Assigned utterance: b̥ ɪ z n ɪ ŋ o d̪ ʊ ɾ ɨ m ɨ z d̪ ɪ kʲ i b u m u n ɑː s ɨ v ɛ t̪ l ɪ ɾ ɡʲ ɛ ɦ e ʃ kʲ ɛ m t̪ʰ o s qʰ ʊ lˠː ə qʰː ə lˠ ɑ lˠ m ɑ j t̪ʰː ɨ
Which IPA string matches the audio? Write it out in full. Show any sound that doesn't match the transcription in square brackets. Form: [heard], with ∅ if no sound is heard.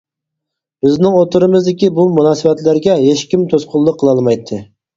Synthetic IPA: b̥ ɪ z n ɪ ŋ o [t̪] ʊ ɾ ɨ m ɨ z d̪ ɪ kʲ i b u m u n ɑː s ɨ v ɛ t̪ l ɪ ɾ ɡʲ ɛ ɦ e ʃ kʲ [i] m t̪ʰ o s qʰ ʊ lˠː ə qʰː ə lˠ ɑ lˠ m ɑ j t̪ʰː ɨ